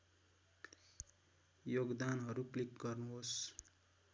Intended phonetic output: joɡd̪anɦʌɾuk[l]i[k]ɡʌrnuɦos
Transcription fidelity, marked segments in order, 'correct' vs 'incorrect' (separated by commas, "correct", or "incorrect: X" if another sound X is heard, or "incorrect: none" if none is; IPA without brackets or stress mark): correct, correct